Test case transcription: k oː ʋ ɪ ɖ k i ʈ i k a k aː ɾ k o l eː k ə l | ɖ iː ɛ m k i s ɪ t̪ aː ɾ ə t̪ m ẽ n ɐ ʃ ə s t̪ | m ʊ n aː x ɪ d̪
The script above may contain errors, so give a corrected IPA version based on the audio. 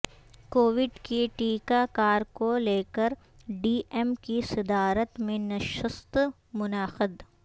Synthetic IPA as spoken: k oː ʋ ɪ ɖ k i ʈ iː k a k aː ɾ k o l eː k ə ɾ | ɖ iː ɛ m k i s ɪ d̪ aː ɾ ə t̪ m ẽ n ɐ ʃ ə s t̪ | m ʊ n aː x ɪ d̪

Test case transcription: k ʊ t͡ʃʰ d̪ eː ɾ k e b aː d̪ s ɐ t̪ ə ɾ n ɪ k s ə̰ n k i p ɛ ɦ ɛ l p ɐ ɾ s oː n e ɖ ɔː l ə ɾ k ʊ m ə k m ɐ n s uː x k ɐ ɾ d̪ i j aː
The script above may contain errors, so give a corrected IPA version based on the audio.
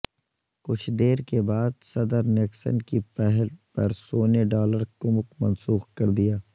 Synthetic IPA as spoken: k ʊ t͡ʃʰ d̪ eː ɾ k e b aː d̪ s ɐ d̪ ə ɾ n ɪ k s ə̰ n k i p ɛ ɦ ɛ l p ɐ ɾ s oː n e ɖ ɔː l ə ɾ k ʊ m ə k m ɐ n s uː x k ɐ ɾ d̪ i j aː

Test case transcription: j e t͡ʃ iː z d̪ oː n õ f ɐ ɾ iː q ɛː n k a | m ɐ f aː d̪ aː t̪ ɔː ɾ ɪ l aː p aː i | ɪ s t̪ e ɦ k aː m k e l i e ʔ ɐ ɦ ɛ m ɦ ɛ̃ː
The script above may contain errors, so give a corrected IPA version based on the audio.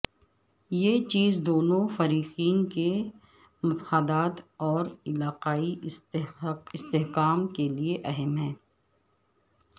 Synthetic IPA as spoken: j e t͡ʃ iː z d̪ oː n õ f ɐ ɾ iː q iː n k e | m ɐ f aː d̪ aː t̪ ɔː ɾ ɪ l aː q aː i | ɪ s t̪ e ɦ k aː m k e l i e ʔ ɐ ɦ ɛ m ɦ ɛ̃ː

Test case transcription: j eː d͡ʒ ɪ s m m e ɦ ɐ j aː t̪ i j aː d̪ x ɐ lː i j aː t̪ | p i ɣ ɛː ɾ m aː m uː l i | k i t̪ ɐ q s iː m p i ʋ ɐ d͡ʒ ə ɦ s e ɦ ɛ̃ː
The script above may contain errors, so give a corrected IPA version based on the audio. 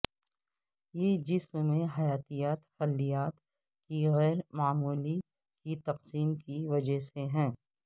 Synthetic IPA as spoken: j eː d͡ʒ ɪ s m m ẽ ɦ ɐ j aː t̪ i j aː t̪ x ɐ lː i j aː t̪ | k i ɣ ɛː ɾ m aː m uː l i | k i t̪ ɐ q s iː m k i ʋ ɐ d͡ʒ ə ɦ s e ɦ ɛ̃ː

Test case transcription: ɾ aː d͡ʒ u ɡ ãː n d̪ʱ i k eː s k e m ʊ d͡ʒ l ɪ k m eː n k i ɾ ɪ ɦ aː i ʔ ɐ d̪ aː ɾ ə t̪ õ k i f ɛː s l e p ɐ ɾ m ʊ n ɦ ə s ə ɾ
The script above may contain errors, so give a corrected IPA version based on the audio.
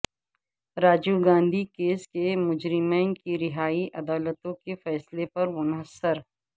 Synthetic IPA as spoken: ɾ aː d͡ʒ u ɡ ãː n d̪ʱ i k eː s k e m ʊ d͡ʒ ɾ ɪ m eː n k i ɾ ɪ ɦ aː i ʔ ɐ d̪ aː l ə t̪ õ k e f ɛː s l e p ɐ ɾ m ʊ n ɦ ə s ə ɾ

